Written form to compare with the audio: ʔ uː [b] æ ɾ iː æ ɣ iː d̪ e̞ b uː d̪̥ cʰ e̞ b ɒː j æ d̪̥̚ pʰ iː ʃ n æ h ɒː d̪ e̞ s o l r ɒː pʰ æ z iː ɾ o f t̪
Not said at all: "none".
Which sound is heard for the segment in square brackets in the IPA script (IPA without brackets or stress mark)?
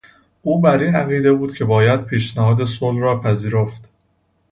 b